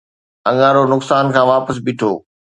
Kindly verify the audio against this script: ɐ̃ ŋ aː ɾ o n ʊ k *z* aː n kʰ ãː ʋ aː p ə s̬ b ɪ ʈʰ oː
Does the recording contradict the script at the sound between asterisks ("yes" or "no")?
yes